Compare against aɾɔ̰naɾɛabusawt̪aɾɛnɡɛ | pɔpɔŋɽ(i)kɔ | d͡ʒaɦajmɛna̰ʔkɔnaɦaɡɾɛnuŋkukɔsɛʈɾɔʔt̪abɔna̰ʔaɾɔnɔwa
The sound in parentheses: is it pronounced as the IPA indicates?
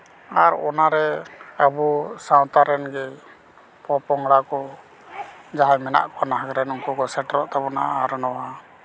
no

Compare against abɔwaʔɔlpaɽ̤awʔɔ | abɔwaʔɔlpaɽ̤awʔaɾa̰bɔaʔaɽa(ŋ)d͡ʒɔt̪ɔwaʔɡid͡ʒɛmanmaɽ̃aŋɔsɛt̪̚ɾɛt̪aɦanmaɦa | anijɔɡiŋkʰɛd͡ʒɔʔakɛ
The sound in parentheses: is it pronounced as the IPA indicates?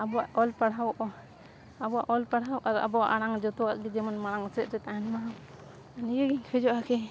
yes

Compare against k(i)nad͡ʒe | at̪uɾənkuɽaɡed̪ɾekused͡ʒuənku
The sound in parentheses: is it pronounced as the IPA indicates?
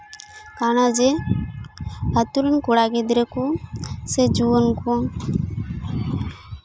no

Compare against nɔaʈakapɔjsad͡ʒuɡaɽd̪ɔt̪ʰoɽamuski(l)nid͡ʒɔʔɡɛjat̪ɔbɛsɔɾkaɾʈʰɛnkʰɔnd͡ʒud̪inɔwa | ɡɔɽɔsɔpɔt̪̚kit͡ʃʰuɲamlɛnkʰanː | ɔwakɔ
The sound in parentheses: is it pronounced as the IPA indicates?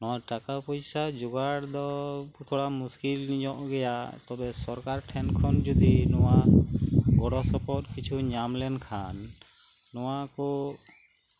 yes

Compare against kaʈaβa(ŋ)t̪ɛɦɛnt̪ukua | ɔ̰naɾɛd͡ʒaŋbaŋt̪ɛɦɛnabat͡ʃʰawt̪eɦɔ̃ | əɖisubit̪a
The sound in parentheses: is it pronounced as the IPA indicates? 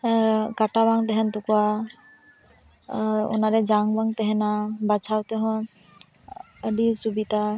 yes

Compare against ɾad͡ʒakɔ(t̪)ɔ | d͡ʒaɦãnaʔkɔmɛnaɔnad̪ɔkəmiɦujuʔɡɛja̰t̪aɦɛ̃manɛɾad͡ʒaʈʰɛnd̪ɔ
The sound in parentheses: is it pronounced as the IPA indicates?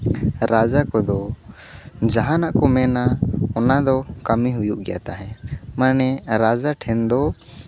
no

